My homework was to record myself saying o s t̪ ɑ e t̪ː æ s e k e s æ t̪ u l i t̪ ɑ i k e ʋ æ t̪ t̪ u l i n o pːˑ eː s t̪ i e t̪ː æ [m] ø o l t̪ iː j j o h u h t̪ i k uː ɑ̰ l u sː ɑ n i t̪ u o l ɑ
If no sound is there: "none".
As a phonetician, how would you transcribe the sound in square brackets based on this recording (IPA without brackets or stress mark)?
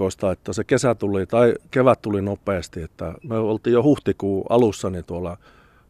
m